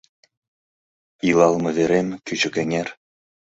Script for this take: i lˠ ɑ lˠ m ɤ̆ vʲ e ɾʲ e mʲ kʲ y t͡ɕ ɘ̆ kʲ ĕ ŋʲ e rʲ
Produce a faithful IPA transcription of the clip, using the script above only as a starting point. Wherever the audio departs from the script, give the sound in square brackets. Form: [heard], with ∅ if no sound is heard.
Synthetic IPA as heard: i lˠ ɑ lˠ m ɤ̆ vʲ e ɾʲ e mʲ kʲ y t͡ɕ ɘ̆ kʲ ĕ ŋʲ e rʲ